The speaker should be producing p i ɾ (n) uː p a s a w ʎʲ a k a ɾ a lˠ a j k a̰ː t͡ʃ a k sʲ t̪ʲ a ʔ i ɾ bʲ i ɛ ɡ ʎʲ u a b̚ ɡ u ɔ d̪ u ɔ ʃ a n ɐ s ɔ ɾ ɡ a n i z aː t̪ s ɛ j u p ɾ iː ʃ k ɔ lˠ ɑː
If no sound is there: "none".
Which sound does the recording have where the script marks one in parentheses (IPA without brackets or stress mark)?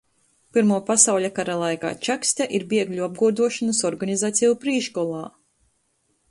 m